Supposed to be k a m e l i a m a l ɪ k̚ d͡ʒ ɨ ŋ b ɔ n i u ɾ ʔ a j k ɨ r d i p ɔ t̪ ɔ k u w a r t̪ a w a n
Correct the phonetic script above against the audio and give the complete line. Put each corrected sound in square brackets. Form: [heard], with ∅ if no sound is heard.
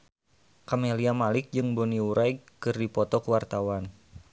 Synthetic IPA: k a m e l i a m a l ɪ k̚ d͡ʒ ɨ ŋ b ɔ n i u ɾ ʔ a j k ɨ r d i p ɔ t̪ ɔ k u w a r t̪ a w a n